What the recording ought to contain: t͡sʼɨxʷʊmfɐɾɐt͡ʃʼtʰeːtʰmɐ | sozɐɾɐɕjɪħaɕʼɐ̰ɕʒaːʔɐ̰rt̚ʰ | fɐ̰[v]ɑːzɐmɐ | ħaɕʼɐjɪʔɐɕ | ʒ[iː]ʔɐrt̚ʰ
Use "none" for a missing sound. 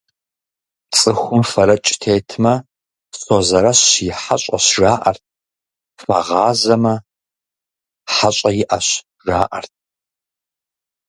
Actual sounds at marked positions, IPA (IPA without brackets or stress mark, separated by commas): ʁ, aː